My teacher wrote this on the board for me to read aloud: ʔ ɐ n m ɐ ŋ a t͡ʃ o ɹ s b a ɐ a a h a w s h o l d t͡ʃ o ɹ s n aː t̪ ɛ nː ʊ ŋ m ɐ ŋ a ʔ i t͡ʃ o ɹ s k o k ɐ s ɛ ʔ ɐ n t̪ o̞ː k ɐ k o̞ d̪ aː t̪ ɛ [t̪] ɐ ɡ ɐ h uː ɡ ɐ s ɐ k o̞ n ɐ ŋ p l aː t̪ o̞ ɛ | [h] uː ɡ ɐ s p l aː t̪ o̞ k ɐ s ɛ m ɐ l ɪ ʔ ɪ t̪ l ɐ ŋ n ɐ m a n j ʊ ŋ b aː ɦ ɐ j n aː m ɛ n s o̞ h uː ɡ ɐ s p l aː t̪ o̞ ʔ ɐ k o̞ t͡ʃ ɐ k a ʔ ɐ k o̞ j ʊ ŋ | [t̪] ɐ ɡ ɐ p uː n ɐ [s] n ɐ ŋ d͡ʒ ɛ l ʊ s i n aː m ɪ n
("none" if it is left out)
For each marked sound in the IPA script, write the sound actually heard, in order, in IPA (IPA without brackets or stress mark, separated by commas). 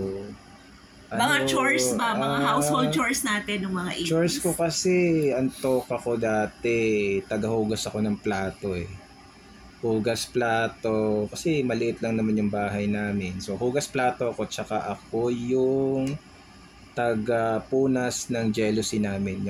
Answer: t̪, h, t̪, s